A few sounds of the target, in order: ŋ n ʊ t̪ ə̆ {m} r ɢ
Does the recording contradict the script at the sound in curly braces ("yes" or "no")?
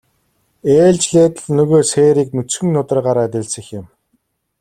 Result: yes